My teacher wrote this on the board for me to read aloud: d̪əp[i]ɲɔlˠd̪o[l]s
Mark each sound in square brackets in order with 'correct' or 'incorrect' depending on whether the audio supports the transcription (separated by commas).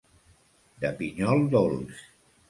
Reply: correct, correct